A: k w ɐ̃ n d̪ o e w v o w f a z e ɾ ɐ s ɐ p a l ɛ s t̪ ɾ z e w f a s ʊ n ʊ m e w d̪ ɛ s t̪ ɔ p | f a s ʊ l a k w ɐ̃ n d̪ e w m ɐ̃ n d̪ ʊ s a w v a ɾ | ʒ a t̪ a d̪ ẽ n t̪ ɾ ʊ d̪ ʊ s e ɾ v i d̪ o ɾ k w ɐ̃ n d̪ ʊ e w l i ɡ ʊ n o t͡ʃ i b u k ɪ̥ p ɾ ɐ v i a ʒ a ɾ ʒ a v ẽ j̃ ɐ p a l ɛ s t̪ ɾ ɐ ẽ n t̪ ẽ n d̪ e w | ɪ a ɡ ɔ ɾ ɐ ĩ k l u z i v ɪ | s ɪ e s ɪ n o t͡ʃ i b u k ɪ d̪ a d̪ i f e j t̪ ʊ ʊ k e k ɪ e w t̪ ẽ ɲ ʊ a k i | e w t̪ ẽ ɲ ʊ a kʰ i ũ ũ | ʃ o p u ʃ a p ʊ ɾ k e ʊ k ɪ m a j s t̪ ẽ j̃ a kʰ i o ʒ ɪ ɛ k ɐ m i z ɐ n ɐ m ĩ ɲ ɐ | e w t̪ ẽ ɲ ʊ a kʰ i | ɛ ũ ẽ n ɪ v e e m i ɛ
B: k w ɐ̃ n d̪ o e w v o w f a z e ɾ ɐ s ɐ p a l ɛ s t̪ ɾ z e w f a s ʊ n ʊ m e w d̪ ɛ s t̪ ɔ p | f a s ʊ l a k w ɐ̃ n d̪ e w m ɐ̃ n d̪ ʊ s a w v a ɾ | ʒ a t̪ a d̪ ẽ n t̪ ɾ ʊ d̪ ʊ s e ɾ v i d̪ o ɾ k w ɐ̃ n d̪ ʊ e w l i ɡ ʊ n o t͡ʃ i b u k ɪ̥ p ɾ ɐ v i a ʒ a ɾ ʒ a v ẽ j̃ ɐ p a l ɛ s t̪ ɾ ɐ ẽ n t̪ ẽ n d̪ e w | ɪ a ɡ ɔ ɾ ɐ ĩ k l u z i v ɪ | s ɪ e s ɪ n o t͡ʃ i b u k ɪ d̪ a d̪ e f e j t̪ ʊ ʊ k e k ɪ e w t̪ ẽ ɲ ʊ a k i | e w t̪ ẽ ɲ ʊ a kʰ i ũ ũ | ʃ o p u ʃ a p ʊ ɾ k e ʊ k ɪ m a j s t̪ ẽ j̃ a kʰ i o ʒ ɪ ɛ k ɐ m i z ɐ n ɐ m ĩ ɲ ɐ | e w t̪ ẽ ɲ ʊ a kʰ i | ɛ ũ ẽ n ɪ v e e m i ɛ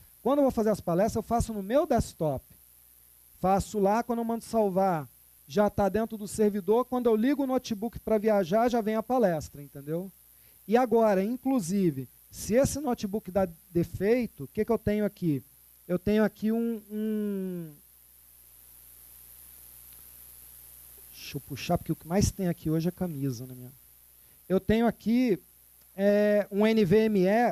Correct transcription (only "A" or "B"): B